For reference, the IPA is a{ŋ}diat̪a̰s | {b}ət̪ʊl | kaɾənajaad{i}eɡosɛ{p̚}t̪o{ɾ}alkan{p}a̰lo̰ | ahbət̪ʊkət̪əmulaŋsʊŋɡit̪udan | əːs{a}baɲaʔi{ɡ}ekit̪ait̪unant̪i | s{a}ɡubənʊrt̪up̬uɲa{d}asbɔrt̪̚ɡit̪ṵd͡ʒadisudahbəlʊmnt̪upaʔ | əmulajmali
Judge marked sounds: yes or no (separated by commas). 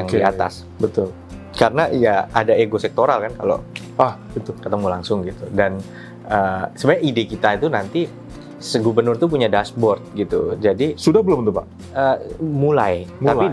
yes, yes, no, no, yes, no, no, no, no, yes